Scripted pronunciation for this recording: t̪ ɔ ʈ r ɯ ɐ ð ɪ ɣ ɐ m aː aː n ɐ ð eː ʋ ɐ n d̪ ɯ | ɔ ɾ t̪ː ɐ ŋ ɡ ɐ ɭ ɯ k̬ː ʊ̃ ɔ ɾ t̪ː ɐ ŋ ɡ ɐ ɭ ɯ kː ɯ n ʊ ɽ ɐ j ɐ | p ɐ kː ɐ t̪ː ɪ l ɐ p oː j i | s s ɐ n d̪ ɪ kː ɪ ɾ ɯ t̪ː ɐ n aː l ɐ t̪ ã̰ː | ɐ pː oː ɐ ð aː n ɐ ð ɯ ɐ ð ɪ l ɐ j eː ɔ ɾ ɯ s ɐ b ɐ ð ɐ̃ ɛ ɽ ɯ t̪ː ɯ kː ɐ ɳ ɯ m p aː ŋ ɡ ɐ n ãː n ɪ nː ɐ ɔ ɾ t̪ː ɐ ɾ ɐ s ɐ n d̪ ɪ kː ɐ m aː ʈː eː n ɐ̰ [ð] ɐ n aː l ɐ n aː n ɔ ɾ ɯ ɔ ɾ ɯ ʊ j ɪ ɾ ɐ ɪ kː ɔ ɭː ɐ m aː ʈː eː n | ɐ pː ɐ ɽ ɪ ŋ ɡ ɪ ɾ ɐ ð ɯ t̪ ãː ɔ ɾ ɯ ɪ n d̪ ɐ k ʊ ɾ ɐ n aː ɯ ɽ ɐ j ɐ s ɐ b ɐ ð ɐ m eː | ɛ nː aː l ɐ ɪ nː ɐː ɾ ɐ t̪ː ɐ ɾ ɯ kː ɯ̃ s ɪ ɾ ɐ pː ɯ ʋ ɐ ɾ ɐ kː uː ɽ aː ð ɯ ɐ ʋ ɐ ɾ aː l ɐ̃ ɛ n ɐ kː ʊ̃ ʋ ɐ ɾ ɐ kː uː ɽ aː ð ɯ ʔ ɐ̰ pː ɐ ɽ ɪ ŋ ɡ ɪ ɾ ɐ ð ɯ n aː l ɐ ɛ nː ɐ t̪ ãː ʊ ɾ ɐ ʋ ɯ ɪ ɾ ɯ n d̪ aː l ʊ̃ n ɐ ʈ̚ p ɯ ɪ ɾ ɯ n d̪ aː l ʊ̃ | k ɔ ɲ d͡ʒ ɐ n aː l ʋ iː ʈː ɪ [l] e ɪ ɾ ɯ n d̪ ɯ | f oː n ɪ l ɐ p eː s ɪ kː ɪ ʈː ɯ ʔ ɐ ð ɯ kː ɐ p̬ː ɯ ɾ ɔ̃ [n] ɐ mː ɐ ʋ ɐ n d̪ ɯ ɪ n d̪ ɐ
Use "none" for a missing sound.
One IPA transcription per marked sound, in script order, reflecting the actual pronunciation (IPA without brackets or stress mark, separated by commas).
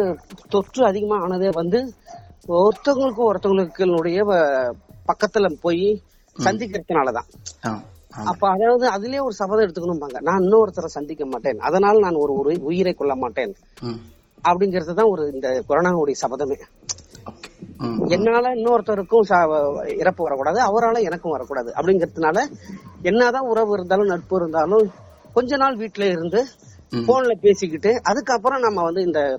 ð, l, n